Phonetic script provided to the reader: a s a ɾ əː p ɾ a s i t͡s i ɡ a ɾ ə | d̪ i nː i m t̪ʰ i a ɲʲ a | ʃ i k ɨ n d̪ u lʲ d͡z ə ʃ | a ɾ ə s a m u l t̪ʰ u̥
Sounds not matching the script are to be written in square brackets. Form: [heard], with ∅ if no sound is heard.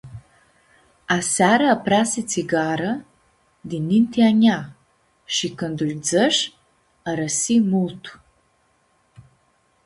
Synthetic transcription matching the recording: a s a ɾ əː p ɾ a s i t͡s i ɡ a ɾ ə | d̪ i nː i [n] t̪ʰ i a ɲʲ a | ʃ i k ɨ n d̪ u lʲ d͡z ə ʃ | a ɾ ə s [i] m u l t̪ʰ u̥